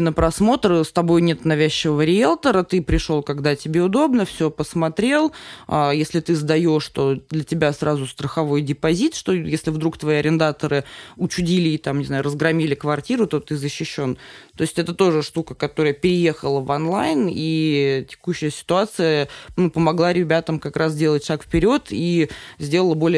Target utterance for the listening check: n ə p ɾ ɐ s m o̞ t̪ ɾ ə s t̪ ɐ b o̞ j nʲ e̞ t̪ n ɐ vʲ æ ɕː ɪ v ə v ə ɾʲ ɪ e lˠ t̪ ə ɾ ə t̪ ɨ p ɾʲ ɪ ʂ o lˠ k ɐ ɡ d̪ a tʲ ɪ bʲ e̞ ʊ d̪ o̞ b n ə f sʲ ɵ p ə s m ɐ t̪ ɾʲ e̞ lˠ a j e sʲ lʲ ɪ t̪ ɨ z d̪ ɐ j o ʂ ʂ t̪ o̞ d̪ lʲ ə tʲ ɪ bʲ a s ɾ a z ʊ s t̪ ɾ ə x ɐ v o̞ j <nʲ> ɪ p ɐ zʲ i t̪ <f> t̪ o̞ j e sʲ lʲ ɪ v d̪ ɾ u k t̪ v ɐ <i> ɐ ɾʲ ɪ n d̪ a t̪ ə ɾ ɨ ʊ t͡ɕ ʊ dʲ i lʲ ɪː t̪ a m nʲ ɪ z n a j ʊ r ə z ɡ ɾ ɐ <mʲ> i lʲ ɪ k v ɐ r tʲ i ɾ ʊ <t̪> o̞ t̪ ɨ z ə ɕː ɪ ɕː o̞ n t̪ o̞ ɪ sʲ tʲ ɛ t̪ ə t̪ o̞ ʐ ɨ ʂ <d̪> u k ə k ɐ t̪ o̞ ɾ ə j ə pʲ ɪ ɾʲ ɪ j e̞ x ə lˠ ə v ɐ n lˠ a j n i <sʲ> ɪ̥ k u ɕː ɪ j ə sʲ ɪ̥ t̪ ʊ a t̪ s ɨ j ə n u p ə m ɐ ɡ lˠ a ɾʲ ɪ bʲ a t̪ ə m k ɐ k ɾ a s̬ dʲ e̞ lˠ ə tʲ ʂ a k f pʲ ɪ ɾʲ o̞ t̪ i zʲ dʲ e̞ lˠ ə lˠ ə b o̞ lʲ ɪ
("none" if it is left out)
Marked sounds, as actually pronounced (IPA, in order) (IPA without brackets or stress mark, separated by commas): dʲ, ʂ, i, mʲ, t̪, t̪, tʲ